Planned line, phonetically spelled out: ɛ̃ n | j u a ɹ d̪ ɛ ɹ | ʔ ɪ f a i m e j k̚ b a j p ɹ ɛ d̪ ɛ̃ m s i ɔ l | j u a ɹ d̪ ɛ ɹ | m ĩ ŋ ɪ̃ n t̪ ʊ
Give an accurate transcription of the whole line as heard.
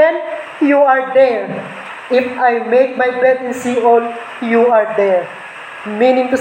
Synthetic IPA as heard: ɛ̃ n | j u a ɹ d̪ ɛ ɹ | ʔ ɪ f a j m e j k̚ m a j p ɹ ɛ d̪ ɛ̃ n s i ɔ l | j u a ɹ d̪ ɛ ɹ | m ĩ n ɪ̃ ŋ t̪ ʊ